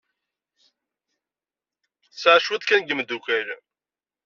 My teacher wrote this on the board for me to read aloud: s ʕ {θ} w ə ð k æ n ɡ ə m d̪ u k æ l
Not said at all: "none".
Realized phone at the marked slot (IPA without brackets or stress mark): ʃ